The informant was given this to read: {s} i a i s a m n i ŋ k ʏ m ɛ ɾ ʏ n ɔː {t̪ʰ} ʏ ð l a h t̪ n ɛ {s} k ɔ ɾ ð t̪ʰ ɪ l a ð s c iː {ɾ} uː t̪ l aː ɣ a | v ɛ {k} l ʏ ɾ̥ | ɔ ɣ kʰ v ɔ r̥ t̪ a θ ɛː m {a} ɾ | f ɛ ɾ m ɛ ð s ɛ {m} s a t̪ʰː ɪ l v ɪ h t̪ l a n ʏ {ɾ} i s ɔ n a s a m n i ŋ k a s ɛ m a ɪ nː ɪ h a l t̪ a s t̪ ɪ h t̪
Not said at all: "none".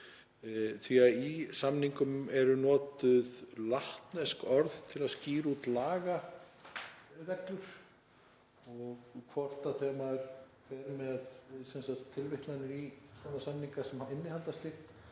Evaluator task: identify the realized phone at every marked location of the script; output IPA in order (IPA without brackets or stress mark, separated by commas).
θ, t̪, s, ɾ, k, a, n, ɾ